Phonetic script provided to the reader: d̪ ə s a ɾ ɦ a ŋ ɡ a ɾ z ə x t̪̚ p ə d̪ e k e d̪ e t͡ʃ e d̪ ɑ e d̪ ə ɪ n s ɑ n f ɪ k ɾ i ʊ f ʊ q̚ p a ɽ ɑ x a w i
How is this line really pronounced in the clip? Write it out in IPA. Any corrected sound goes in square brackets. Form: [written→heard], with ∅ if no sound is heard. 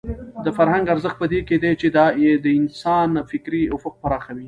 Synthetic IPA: d̪ ə [s→f] a ɾ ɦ a ŋ ɡ a ɾ z ə x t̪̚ p ə d̪ e k e d̪ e t͡ʃ e d̪ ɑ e d̪ ə ɪ n s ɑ n f ɪ k ɾ i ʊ f ʊ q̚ p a [ɽ→ɾ] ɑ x a w i